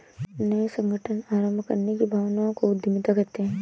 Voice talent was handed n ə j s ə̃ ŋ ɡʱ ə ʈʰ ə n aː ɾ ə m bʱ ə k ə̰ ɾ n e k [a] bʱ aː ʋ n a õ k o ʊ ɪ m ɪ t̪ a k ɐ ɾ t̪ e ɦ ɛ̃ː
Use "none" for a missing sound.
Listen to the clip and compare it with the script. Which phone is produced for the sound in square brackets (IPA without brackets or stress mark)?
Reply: i